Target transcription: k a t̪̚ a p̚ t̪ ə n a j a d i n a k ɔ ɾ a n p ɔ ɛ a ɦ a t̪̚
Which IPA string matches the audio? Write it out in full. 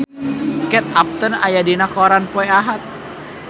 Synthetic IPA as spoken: k ɛ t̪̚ a p̚ t̪ ə n a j a d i n a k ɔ ɾ a n p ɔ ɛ a ɦ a t̪̚